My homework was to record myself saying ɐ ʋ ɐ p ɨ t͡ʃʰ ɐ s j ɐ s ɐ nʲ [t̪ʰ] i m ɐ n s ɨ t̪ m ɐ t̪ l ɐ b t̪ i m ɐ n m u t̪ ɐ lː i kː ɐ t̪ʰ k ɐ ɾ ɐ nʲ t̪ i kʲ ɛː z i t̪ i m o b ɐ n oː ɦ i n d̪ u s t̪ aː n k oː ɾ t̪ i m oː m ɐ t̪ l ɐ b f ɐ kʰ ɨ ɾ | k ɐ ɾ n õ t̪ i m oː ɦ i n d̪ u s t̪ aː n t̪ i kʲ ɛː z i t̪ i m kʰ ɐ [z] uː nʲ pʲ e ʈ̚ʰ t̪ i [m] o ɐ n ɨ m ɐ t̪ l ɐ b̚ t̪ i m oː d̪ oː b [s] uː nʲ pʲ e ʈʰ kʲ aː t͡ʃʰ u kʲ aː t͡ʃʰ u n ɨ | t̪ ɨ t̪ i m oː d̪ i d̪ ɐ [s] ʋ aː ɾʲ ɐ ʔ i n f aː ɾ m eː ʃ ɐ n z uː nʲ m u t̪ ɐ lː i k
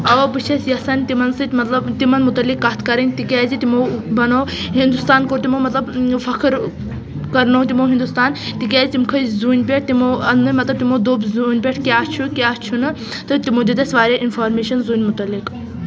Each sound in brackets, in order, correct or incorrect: incorrect: t̪, correct, correct, incorrect: z, correct

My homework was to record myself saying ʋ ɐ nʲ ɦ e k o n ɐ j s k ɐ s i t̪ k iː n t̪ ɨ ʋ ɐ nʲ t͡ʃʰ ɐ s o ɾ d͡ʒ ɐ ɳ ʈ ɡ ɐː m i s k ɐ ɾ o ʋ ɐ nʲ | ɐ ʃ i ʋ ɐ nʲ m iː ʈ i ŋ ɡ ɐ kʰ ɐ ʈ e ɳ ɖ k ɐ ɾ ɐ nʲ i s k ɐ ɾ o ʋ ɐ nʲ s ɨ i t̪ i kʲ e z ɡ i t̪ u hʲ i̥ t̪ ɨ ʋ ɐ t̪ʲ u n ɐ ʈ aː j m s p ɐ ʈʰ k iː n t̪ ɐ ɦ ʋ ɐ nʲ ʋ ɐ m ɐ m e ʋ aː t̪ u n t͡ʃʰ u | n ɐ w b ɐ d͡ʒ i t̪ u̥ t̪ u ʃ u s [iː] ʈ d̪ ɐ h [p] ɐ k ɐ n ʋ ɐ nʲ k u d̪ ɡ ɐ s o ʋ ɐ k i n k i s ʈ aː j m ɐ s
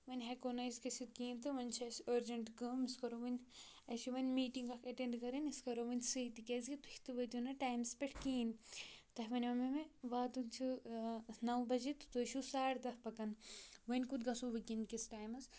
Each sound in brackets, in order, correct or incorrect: incorrect: aː, correct

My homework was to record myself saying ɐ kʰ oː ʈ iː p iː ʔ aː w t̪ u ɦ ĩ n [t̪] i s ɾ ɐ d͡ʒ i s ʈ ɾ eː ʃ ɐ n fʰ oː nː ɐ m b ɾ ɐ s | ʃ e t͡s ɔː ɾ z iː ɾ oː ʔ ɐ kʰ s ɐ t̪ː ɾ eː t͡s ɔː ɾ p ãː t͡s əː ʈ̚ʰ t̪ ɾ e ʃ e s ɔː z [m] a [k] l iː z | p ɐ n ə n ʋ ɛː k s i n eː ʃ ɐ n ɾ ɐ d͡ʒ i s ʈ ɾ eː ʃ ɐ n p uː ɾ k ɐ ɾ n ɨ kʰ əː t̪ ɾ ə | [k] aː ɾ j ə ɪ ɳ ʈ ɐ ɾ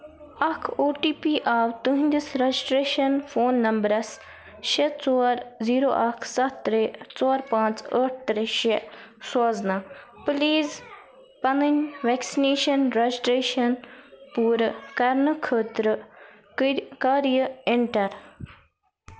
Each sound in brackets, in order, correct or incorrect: incorrect: d̪, incorrect: n, incorrect: p, correct

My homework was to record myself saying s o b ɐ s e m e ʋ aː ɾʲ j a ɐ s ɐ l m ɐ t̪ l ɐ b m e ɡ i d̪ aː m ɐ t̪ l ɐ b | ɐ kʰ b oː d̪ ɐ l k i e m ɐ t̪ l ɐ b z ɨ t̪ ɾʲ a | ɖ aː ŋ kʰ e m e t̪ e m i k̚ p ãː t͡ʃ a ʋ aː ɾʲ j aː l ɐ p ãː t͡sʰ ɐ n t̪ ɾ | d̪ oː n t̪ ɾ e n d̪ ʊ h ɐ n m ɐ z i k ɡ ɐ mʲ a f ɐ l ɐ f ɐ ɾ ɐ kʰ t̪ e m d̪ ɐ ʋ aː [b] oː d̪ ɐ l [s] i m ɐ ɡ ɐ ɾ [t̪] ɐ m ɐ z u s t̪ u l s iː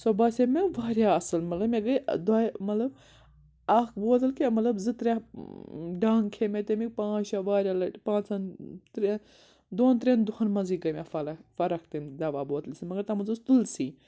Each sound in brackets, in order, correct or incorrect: correct, correct, correct

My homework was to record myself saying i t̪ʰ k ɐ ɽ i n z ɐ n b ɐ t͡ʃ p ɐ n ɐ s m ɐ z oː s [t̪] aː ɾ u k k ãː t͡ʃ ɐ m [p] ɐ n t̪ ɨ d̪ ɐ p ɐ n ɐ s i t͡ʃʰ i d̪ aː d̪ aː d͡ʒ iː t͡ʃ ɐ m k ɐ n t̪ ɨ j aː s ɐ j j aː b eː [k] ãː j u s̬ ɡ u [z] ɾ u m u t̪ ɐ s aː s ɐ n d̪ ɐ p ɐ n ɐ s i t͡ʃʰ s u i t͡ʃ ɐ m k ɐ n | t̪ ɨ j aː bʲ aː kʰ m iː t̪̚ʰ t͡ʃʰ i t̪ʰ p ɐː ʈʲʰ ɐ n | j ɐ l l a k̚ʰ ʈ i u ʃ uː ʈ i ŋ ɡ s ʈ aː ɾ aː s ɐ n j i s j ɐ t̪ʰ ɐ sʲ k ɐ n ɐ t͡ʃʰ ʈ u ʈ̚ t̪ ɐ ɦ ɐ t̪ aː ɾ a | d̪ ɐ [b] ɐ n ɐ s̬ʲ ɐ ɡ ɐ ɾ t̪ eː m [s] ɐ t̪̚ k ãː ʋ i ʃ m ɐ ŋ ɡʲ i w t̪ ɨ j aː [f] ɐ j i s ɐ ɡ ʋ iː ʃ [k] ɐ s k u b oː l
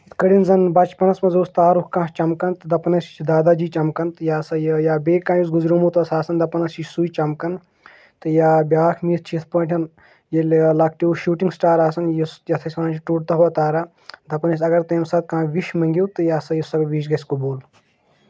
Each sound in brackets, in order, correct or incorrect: correct, incorrect: k, correct, correct, incorrect: p, correct, incorrect: s, incorrect: ɡ

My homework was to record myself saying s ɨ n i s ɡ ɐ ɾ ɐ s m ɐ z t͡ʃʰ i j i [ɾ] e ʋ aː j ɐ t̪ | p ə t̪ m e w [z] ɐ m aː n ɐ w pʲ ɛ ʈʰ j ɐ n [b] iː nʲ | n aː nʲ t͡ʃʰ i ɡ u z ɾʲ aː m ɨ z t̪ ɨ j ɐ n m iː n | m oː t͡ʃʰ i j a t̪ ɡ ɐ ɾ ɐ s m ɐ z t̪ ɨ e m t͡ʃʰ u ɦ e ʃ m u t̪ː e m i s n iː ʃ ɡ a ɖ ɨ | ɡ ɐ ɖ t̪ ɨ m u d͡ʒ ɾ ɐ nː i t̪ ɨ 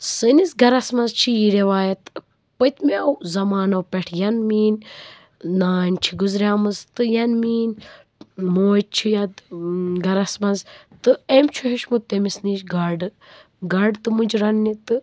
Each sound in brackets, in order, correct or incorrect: correct, correct, incorrect: m

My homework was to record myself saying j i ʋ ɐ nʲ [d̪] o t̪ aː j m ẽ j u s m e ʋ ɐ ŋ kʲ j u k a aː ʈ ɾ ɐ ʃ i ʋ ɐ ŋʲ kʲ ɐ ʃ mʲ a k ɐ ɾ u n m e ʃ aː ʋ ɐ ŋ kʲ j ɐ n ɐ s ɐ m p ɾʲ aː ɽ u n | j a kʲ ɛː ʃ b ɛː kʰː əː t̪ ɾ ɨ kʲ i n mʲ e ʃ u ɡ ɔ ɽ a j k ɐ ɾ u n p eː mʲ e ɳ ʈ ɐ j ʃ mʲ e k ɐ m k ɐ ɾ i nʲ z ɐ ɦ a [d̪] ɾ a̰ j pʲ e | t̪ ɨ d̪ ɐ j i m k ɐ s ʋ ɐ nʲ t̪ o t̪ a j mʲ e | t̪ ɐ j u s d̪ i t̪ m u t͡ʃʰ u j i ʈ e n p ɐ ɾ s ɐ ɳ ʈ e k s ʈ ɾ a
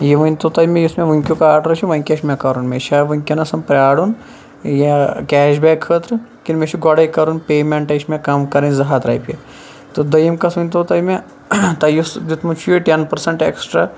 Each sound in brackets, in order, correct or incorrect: incorrect: t̪, incorrect: t̪

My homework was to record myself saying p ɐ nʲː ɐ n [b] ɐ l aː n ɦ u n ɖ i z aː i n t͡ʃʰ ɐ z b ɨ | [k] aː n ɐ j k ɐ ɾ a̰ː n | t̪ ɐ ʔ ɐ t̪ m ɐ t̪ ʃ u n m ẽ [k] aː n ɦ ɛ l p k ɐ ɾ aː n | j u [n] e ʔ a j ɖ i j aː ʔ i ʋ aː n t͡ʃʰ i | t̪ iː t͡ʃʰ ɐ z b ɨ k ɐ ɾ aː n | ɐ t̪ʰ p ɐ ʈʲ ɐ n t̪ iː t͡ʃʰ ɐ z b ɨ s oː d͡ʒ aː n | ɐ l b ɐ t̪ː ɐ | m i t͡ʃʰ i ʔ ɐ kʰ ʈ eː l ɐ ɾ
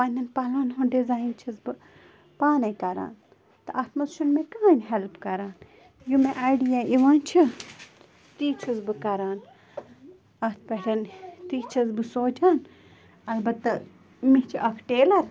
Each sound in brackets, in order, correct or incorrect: incorrect: p, incorrect: p, correct, incorrect: m

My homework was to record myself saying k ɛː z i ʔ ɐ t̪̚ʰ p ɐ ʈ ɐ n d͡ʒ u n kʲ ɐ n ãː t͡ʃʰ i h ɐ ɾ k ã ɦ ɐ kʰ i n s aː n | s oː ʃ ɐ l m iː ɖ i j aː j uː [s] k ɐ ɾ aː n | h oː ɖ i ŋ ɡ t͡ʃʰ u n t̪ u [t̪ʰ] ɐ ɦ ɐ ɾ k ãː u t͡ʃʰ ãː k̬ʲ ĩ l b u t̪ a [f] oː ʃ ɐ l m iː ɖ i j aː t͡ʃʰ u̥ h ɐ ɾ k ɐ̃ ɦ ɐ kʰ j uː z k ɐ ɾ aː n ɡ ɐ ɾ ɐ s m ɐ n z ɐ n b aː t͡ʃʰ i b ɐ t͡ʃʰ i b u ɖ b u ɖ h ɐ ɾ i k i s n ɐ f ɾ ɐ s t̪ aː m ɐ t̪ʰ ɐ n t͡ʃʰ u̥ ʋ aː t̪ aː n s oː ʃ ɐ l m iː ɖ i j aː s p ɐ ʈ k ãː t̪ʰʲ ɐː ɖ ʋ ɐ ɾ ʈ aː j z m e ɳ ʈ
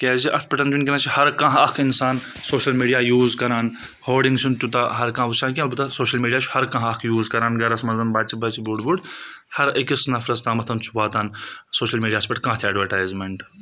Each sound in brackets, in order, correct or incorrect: incorrect: z, incorrect: t̪, incorrect: s

